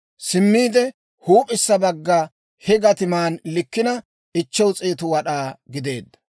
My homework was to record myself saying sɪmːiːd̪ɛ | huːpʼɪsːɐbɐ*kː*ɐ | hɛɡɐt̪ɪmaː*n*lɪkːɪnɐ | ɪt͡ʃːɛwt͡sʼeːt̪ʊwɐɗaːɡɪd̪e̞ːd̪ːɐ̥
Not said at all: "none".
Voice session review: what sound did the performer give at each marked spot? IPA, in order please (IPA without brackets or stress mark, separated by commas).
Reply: ɡː, n